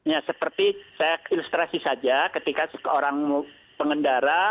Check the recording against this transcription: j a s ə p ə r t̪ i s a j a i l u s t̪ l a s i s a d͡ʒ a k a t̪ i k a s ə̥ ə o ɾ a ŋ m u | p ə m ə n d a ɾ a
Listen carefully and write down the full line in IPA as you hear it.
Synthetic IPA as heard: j a s ə p ə r t̪ i s a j a i l u s t̪ ɾ a s i s a d͡ʒ a k ə t̪ i k a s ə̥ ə o ɾ a ŋ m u | p ə ŋ ə n d a ɾ a